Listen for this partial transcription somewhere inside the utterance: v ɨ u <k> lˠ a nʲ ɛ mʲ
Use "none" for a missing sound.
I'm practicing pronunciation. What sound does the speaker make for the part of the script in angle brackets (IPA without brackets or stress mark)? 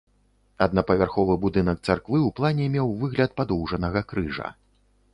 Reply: p